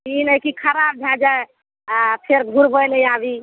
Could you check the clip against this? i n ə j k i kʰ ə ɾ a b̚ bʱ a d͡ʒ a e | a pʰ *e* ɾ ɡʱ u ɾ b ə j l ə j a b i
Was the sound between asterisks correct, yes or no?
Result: yes